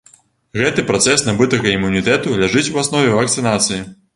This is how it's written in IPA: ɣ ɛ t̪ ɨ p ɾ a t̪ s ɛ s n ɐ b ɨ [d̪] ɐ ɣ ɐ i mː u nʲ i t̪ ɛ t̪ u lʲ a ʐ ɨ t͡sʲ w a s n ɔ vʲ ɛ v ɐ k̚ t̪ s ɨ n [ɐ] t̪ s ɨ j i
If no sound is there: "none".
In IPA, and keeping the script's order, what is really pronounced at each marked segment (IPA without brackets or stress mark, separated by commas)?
t̪, a